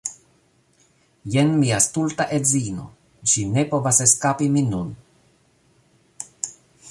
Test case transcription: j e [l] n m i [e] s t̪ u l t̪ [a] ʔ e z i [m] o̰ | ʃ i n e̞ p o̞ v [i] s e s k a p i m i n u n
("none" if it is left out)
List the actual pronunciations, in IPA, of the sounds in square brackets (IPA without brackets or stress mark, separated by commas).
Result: none, a, a, n, a